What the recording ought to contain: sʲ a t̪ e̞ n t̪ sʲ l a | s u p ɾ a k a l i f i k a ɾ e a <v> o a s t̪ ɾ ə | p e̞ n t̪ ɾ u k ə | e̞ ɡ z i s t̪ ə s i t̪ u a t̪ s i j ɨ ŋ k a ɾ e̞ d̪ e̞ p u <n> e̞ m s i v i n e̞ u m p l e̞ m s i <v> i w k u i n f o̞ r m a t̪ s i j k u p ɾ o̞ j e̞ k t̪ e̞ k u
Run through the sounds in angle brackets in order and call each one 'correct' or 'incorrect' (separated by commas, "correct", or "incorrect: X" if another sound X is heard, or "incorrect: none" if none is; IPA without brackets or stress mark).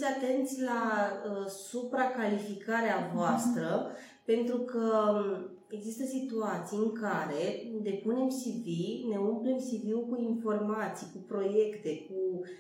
correct, correct, correct